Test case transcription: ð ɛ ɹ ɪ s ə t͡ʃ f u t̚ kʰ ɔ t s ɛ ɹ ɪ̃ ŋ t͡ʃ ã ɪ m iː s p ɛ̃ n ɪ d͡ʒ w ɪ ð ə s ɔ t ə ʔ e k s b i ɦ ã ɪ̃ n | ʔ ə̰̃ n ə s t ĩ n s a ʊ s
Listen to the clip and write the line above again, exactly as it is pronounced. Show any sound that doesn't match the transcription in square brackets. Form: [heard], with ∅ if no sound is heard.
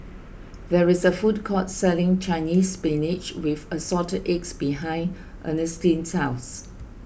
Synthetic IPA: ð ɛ ɹ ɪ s ə [∅] f u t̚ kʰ ɔ t s ɛ [l] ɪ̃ ŋ t͡ʃ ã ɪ [n] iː s p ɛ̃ n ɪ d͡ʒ w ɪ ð ə s ɔ t ə ʔ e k s b i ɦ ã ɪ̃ n | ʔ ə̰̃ n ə s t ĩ n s a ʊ s